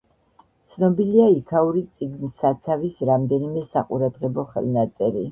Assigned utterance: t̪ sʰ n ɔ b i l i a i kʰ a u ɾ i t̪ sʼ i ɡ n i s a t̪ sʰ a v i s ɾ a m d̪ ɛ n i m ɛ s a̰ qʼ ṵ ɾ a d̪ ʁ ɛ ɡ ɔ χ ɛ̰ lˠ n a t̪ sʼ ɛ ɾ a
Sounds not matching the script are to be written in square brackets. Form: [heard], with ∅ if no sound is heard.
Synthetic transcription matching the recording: t̪ sʰ n ɔ b i l i a i kʰ a u ɾ i t̪ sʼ i ɡ n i s a t̪ sʰ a v i s ɾ a m d̪ ɛ n i m ɛ s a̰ qʼ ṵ ɾ a d̪ ʁ ɛ [b] ɔ χ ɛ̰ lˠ n a t̪ sʼ ɛ ɾ [i]